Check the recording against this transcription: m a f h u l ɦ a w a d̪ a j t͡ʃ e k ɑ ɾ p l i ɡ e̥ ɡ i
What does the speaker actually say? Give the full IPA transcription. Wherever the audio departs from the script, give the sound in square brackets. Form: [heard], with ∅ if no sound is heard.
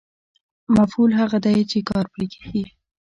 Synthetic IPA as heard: m a f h u l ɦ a [ɣ] a d̪ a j t͡ʃ e k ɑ ɾ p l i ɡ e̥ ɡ i